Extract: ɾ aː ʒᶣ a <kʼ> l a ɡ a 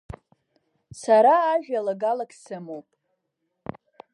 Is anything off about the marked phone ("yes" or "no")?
yes